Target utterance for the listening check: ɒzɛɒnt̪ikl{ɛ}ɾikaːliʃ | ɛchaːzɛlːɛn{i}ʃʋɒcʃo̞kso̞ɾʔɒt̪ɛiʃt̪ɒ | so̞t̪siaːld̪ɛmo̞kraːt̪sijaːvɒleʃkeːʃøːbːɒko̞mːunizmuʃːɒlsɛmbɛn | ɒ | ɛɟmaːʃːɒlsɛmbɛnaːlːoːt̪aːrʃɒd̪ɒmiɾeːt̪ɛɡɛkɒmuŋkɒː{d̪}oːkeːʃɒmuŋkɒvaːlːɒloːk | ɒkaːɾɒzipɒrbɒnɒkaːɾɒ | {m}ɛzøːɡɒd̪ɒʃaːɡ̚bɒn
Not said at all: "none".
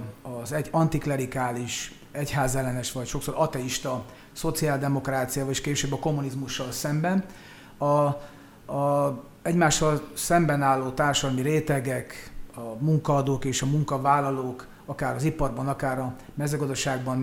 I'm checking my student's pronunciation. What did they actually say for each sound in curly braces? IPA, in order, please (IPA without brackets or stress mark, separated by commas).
ɛ, ɛ, d̪, m